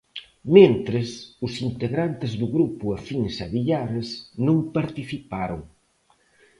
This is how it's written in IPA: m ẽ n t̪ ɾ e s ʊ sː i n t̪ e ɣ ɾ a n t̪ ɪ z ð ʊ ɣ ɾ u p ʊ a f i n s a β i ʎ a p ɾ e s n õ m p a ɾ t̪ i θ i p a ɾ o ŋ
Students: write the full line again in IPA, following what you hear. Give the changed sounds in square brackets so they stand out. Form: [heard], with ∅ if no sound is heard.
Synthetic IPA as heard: m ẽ n t̪ ɾ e s ʊ [s] i n t̪ e ɣ ɾ a n t̪ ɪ z ð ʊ ɣ ɾ u p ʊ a f i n s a β i ʎ a [∅] ɾ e s n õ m p a ɾ t̪ i θ i p a ɾ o ŋ